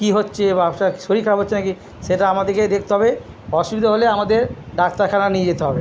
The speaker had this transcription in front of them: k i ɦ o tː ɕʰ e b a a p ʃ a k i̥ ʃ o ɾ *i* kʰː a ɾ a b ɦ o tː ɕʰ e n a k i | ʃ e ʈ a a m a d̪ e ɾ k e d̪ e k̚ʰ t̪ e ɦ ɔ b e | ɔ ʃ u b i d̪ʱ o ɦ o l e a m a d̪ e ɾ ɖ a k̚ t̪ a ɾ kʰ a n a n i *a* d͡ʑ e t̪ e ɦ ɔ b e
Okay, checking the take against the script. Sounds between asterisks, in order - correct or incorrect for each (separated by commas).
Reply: correct, incorrect